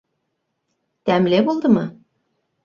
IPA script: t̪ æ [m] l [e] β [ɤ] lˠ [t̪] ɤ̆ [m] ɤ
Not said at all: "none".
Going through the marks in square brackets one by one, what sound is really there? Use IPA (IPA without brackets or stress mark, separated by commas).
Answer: m, e, o, d̪, m